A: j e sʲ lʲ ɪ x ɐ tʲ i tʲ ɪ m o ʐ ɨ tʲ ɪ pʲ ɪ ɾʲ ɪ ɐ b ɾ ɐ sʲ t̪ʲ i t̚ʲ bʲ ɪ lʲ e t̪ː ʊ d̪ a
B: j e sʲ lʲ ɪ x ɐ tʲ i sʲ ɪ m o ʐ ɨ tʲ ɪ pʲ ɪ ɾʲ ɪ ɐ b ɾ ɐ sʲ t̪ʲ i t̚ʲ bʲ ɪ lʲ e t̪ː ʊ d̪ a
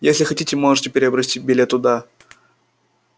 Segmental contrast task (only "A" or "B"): A